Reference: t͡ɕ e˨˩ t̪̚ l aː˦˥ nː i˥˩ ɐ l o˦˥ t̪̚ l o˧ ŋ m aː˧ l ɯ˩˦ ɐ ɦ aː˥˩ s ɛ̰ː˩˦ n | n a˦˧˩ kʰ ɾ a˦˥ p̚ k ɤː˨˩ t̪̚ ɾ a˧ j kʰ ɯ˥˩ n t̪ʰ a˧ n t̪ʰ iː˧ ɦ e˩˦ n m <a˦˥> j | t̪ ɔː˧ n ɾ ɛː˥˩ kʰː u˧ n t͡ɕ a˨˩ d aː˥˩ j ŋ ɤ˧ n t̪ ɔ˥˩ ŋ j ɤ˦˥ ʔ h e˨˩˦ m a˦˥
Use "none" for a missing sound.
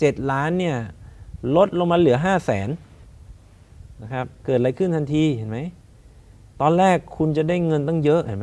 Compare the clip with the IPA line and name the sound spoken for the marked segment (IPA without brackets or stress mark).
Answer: a˦˥